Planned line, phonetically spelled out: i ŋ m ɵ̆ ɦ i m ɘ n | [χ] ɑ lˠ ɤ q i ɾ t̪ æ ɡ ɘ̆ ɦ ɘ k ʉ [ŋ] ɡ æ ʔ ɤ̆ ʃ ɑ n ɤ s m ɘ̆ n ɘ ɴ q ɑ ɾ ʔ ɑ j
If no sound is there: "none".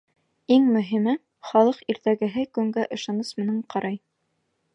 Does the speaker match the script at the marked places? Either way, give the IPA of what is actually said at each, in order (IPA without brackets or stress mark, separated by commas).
χ, ŋ